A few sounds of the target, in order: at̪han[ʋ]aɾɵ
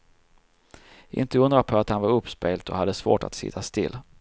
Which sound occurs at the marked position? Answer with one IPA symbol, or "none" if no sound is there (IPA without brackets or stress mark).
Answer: v